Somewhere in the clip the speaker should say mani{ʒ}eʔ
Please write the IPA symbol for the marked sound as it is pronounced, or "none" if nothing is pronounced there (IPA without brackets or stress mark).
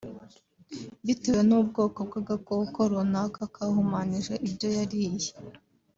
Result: ʒ